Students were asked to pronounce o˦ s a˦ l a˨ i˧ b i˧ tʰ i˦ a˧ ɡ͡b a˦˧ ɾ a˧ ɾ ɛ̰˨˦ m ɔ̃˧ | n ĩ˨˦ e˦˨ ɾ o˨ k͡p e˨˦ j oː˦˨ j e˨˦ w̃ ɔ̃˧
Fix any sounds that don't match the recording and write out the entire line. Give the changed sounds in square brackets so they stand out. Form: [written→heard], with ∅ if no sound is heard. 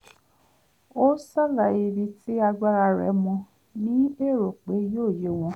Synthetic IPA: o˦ s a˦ l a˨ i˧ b i˧ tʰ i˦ a˧ ɡ͡b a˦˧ ɾ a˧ ɾ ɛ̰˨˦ m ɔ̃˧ | n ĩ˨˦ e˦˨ ɾ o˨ k͡p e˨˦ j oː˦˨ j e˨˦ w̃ ɔ̃˧